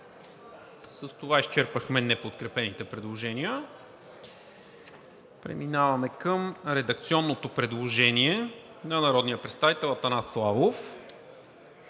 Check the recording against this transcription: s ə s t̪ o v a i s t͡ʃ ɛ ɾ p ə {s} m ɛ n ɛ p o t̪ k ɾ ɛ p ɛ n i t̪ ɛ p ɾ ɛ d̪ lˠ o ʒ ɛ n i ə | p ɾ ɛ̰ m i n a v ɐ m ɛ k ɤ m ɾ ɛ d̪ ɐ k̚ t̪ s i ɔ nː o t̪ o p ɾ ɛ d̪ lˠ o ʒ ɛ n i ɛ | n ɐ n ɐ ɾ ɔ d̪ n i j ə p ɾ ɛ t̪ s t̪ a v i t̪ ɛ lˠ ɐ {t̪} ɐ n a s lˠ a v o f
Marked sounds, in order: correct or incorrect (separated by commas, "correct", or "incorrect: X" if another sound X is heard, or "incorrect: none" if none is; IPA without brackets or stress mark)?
incorrect: x, correct